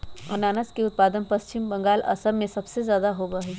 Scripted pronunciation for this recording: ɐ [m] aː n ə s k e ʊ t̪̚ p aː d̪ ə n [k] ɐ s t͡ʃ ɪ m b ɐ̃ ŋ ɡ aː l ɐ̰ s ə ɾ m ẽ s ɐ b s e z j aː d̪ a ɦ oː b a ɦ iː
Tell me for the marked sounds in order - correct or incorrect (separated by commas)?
incorrect, incorrect